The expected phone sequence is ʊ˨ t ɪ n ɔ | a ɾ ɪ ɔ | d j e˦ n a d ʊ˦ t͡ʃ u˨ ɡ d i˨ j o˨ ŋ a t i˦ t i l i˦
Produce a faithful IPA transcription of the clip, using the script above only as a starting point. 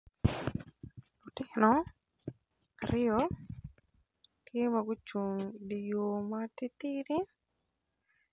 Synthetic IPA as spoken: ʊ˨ t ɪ n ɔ | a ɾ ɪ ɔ | t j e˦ m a ɡ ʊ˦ t͡ʃ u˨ ŋ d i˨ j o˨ m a t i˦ t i ɾ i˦